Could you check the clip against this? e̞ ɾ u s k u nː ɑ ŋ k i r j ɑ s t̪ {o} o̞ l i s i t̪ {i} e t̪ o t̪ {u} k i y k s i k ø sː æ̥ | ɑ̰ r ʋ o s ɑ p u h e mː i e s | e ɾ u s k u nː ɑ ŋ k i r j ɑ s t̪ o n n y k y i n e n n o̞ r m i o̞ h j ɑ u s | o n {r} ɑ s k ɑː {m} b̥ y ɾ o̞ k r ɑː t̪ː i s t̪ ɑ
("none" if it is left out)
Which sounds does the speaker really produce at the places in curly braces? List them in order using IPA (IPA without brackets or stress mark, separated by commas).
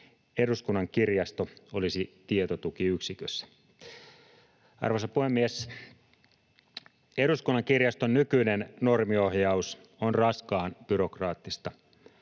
o, i, u, r, n